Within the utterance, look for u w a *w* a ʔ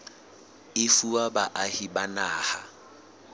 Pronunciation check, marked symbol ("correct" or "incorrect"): incorrect